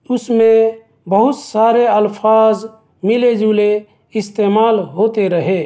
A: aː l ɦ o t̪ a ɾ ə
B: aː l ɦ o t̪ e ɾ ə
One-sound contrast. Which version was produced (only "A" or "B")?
B